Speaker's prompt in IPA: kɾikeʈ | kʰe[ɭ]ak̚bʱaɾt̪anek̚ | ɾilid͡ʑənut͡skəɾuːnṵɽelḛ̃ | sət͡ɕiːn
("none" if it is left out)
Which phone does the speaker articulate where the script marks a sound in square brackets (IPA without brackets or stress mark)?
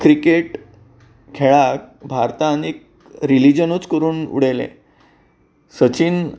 ɭ